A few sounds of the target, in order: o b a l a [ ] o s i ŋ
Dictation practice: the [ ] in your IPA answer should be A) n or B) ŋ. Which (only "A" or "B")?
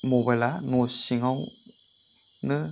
A